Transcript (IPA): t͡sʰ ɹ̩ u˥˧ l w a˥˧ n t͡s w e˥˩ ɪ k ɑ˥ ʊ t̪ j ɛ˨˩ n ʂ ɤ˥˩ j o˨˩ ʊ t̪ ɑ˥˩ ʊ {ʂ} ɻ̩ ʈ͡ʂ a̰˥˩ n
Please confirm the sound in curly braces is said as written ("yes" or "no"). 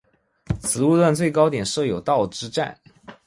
no